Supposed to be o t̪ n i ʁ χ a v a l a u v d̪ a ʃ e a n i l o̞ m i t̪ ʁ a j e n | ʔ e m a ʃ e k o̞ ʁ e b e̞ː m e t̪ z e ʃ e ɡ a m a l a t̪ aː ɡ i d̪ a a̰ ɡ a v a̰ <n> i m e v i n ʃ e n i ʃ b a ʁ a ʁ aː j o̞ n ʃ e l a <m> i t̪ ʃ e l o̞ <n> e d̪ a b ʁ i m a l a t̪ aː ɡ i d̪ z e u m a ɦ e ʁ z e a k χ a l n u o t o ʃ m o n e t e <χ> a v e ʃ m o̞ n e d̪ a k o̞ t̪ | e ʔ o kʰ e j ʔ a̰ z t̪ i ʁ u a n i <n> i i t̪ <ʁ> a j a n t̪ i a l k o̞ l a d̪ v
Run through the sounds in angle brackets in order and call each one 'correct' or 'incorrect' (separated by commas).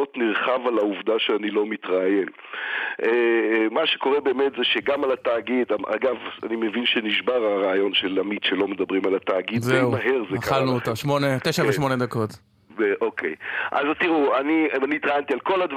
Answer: correct, correct, incorrect, incorrect, correct, correct